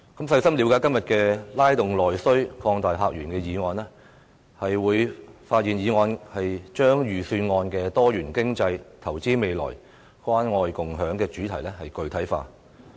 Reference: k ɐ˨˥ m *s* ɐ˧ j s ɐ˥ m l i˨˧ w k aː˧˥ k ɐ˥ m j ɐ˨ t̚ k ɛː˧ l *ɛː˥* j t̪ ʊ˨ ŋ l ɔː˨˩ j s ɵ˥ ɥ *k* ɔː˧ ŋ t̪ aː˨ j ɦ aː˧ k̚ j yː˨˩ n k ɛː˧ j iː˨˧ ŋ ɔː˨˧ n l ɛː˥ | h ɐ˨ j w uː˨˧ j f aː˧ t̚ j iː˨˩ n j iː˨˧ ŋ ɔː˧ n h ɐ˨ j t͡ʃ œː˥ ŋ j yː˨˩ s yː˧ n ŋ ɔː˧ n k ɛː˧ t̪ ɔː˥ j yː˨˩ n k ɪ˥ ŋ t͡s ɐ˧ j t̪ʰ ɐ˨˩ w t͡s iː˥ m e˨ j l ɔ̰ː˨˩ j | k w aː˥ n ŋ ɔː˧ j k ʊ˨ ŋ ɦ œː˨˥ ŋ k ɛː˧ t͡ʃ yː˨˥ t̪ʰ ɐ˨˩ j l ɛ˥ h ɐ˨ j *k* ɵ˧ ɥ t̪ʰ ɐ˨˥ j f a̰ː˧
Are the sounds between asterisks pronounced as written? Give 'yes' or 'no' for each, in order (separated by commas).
yes, no, no, yes